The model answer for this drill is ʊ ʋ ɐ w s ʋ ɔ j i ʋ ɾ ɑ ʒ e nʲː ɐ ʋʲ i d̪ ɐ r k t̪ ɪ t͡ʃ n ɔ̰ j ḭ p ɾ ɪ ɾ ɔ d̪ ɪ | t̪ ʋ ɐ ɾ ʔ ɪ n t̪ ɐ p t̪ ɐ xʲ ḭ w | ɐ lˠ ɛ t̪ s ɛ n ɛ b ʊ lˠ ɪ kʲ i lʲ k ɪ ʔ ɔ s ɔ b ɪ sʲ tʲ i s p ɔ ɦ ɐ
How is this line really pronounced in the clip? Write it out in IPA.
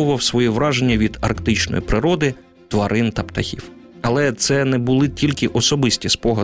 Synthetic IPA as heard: ʊ ʋ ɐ w s ʋ ɔ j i ʋ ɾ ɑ ʒ e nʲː ɐ ʋʲ i d̪ ɐ r k t̪ ɪ t͡ʃ n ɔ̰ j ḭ p ɾ ɪ ɾ ɔ d̪ ɪ | t̪ ʋ ɐ ɾ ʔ ɪ n t̪ ɐ p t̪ ɐ xʲ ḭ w | ɐ lˠ ɛ t̪ s ɛ n ɛ b ʊ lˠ ɪ tʲ i lʲ k ɪ ʔ ɔ s ɔ b ɪ sʲ tʲ i s p ɔ ɦ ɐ